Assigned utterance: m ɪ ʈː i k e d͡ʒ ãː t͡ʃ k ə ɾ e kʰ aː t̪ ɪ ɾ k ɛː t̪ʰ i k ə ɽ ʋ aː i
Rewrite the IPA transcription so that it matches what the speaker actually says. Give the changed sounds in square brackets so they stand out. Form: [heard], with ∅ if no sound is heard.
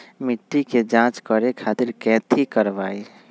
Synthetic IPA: m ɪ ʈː i k e d͡ʒ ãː t͡ʃ k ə ɾ e kʰ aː t̪ ɪ ɾ k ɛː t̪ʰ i k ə [ɾ] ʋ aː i